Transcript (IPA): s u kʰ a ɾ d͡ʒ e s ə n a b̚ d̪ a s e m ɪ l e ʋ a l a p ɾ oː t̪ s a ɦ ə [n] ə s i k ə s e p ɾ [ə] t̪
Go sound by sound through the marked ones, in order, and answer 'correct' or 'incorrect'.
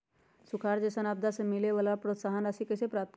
correct, incorrect

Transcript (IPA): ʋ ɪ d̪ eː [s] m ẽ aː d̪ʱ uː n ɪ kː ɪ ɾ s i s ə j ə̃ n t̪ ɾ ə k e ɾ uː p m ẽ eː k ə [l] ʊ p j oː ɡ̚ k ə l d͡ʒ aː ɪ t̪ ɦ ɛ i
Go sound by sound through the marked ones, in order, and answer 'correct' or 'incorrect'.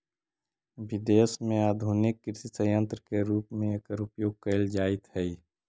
correct, incorrect

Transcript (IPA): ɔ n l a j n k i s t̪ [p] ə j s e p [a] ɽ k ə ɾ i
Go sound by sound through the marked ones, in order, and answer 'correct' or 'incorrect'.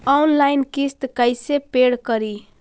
incorrect, incorrect

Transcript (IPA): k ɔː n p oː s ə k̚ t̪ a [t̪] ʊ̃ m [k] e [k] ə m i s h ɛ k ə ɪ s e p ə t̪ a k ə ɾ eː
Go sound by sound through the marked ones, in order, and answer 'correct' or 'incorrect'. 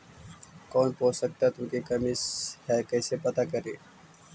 correct, correct, correct

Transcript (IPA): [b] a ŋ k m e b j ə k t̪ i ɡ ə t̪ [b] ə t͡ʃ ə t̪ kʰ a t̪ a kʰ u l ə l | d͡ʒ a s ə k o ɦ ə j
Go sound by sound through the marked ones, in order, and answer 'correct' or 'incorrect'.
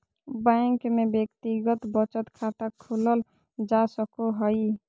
correct, correct

